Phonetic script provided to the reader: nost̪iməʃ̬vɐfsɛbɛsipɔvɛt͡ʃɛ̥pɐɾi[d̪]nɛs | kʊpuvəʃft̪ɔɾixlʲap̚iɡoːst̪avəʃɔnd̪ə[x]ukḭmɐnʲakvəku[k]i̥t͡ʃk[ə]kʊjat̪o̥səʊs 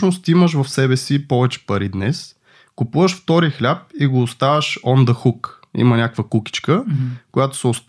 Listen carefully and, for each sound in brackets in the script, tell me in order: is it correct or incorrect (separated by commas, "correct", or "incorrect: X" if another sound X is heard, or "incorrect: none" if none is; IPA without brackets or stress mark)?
correct, correct, correct, correct